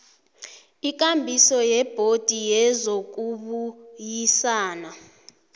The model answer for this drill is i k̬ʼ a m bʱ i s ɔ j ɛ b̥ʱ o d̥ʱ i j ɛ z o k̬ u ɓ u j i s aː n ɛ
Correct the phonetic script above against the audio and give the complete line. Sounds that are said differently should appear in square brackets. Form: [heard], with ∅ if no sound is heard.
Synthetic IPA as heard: i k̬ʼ a m bʱ i s ɔ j ɛ b̥ʱ o d̥ʱ i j ɛ z o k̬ u ɓ u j i s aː n [a]